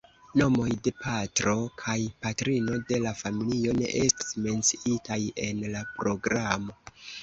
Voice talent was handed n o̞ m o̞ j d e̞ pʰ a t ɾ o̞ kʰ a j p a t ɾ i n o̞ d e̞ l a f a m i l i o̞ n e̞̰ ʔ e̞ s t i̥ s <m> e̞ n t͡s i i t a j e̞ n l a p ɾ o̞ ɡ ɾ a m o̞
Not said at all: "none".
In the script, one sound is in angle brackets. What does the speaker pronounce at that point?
m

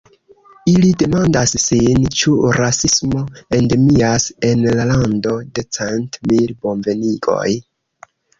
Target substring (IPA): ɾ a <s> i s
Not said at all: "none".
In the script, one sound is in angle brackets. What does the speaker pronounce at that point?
s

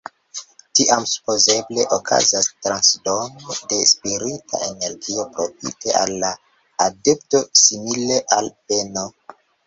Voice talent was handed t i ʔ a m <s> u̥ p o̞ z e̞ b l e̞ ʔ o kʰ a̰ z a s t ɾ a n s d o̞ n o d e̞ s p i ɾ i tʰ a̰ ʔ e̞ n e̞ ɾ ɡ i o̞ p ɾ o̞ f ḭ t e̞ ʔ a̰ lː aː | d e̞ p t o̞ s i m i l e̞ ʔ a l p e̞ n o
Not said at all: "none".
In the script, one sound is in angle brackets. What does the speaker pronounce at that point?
s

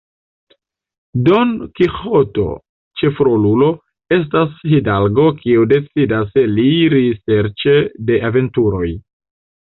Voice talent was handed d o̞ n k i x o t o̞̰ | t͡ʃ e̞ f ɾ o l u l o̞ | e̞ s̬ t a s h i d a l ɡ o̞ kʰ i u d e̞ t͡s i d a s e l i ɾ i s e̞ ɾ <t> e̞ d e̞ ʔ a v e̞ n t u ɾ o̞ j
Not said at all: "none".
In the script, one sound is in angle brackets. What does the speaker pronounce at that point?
t͡ʃ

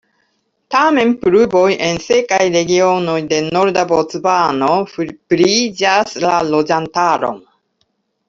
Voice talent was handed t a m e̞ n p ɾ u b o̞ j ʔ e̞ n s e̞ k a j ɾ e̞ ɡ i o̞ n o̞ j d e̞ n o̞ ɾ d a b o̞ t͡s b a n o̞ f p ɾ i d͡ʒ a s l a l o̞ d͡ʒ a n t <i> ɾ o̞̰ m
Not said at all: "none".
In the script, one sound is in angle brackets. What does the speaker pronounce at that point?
a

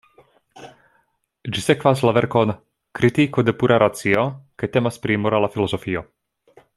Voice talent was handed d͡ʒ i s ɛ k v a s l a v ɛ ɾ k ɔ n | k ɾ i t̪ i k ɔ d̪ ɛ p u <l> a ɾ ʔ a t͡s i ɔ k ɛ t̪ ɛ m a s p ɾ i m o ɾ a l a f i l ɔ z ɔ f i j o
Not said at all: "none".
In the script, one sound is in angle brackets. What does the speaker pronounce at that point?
ɾ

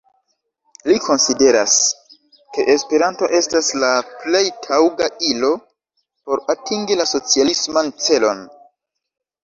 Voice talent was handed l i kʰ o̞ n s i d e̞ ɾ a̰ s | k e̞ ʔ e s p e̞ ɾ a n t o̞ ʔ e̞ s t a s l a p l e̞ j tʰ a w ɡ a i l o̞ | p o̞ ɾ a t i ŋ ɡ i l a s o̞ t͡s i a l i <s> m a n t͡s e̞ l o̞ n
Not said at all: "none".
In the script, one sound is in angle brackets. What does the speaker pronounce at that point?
s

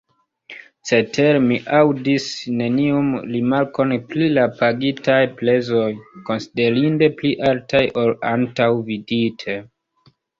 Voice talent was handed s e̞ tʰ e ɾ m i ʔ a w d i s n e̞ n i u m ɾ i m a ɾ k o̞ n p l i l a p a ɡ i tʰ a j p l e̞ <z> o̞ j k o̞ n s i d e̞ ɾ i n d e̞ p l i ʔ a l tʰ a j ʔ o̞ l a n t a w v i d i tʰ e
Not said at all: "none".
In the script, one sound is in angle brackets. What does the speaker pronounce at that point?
z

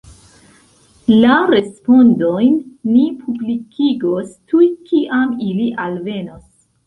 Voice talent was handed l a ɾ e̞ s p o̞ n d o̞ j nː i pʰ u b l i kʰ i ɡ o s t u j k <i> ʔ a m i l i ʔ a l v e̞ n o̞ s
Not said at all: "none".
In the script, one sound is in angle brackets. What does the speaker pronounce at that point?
i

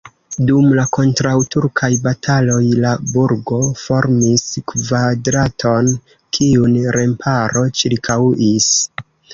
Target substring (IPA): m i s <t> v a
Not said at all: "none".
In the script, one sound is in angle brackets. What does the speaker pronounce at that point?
k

